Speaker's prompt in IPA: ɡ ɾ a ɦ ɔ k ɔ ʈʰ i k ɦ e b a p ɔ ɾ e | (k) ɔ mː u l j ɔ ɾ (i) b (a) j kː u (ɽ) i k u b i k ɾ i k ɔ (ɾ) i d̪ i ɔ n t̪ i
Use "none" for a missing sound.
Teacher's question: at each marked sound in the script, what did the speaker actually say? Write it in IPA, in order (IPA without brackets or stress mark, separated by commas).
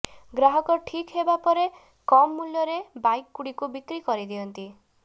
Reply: k, e, a, ɽ, ɾ